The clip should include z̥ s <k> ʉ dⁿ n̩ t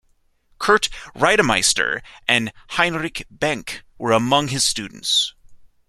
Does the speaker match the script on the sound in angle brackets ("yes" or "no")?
no